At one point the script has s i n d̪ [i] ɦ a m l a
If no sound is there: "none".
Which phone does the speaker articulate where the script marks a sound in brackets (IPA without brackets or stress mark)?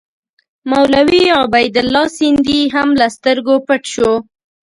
i